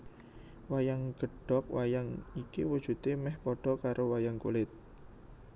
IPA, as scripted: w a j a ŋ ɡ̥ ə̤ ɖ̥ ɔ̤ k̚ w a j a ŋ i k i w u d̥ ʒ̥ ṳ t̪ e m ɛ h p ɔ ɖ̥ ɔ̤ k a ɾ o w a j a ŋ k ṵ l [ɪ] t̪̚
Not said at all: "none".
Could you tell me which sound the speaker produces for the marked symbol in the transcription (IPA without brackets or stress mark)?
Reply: ɪ